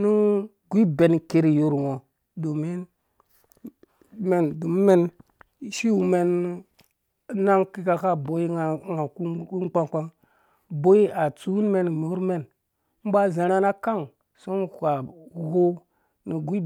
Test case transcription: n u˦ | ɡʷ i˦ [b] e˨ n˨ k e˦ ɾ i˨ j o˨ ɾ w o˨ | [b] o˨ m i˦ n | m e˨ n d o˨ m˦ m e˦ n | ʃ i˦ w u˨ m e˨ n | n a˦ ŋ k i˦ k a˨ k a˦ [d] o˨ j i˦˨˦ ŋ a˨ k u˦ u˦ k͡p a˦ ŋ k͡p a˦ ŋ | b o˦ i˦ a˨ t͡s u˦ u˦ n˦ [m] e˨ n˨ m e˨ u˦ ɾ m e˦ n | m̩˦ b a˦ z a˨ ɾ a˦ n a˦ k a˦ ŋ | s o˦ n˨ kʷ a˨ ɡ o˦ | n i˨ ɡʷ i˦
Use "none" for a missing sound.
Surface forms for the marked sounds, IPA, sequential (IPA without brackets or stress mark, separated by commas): b, d, b, m